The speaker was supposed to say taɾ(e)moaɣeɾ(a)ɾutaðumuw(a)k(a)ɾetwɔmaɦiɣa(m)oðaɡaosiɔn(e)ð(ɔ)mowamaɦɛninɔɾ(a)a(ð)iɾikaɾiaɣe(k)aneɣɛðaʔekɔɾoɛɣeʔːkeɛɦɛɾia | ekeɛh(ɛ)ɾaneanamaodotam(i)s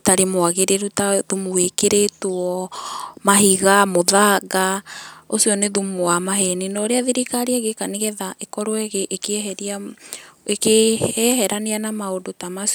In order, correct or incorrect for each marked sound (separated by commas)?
correct, incorrect, incorrect, incorrect, correct, correct, incorrect, incorrect, correct, correct, correct, incorrect